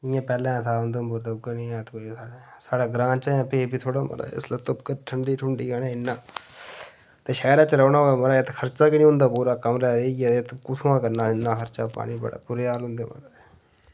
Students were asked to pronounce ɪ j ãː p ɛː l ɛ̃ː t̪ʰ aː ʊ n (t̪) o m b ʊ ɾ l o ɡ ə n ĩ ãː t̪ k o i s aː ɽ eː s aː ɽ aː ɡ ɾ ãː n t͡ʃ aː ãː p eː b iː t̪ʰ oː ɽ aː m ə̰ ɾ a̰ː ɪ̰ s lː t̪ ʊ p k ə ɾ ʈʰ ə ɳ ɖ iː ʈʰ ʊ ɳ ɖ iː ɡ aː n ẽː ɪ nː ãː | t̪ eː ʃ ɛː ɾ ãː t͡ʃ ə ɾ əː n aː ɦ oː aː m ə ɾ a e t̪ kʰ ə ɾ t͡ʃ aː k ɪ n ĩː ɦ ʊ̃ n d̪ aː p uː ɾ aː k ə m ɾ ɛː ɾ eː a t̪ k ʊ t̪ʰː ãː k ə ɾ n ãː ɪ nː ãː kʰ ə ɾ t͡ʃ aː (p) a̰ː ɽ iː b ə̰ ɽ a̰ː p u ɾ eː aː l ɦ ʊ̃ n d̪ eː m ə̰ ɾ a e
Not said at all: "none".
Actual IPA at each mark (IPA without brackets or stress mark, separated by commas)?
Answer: d̪, p